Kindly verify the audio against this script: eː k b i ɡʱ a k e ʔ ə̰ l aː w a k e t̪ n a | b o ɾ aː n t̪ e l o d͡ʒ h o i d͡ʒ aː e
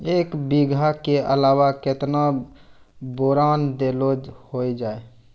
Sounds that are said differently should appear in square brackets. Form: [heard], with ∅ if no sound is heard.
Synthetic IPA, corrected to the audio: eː k b i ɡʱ a k e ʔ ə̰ l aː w a k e t̪ n a | b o ɾ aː n [d̪] e l o d͡ʒ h o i d͡ʒ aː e